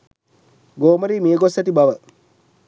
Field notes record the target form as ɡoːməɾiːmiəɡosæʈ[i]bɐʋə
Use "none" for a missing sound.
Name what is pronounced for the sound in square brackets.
i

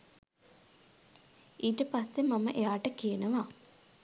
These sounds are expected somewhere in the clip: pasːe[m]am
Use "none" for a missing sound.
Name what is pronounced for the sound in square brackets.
m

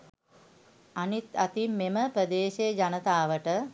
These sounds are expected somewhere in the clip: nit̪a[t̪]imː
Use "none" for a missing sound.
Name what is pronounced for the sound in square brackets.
t̪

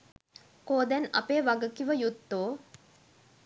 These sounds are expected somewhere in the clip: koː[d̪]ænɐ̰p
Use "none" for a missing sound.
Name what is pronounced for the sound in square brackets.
d̪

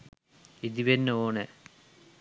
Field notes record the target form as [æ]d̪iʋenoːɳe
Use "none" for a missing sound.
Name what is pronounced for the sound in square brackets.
i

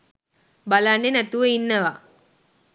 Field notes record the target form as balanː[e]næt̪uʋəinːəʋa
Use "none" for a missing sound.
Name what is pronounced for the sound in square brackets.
e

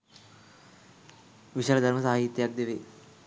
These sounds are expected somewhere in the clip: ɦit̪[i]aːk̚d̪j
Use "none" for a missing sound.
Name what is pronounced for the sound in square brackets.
j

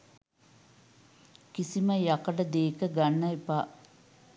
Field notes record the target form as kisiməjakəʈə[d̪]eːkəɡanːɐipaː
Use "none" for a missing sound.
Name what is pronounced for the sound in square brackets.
d̪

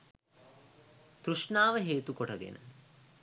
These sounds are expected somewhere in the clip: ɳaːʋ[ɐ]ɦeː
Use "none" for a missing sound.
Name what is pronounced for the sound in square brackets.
ə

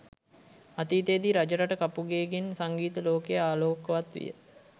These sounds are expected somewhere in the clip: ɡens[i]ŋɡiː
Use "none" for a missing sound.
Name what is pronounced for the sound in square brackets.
a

